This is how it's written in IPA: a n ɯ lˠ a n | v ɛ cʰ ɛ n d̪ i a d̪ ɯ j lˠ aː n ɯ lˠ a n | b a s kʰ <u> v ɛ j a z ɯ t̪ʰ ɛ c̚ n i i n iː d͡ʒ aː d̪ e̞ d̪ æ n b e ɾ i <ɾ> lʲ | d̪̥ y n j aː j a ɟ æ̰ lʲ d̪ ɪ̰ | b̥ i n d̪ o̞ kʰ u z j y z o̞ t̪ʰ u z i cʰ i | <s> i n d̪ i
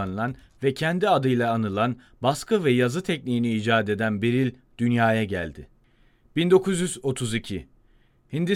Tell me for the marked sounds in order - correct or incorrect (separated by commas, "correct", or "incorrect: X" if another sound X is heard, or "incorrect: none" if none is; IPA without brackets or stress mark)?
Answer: incorrect: ɯ, incorrect: none, incorrect: h